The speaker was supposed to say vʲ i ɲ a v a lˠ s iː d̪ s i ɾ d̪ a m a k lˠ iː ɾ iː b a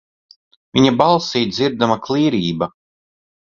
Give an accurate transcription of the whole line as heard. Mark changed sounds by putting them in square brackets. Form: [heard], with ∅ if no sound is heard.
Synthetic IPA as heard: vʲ i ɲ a [b] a lˠ s iː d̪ [z] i ɾ d̪ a m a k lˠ iː ɾ iː b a